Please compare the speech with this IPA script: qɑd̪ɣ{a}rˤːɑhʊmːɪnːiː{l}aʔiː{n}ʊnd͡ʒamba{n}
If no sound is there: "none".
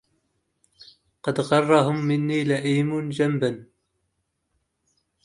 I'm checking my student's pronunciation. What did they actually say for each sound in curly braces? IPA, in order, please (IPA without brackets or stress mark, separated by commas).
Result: ɑ, l, m, n